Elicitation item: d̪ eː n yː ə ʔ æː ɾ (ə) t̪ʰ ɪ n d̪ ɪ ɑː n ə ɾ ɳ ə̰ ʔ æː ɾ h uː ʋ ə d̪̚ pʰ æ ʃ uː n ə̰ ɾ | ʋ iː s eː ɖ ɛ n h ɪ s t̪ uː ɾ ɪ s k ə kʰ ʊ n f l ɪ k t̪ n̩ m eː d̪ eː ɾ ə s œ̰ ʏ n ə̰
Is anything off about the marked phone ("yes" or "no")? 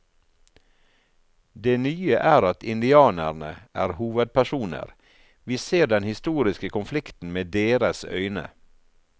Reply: yes